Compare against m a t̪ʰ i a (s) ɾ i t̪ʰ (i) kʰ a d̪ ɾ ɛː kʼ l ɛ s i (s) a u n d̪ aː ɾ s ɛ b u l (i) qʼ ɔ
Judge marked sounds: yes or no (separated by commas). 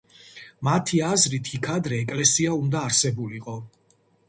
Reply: no, yes, no, yes